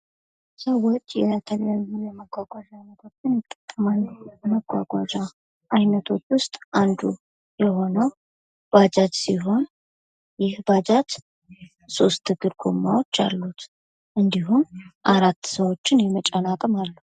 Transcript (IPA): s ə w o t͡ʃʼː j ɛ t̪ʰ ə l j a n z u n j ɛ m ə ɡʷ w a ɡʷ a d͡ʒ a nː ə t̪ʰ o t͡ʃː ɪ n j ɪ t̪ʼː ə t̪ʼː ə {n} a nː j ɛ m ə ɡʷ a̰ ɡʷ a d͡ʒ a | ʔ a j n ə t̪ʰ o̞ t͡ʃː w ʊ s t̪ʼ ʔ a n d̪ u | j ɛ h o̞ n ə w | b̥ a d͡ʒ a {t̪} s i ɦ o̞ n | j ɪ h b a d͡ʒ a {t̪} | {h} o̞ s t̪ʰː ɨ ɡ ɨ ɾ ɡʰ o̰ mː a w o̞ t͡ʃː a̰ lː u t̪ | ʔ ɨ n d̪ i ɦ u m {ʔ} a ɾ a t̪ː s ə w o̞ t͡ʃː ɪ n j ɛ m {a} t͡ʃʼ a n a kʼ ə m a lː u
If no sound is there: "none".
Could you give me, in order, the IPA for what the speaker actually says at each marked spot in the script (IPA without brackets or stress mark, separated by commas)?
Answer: m, t̪, t̪, s, ʔ, ə